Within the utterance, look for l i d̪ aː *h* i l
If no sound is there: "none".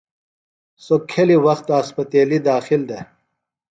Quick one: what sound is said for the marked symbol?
x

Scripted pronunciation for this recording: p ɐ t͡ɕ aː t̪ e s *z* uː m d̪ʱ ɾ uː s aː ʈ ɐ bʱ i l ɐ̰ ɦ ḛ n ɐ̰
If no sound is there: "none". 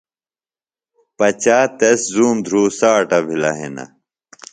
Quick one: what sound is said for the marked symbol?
z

